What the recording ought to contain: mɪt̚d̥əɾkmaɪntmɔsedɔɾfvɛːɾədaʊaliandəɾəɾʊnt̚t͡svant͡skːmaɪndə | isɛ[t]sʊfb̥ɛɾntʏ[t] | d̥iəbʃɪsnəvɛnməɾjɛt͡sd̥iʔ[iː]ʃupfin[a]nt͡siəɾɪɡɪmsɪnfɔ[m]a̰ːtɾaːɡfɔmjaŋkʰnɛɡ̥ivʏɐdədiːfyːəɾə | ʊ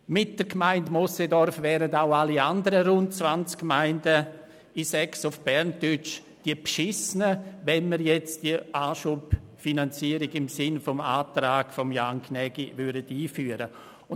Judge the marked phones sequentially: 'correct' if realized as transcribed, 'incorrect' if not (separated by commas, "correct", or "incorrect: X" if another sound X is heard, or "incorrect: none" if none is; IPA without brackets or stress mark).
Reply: incorrect: k, incorrect: t͡ʃ, incorrect: aː, correct, correct